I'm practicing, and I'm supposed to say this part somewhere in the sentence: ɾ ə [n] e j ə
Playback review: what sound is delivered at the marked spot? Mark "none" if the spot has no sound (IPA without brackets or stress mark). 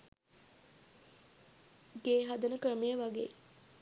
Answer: m